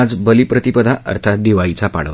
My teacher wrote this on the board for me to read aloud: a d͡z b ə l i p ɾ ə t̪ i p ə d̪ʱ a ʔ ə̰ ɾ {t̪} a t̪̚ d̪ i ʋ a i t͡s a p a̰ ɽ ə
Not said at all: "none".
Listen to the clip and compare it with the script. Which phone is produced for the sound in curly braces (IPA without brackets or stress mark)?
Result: t̪ʰ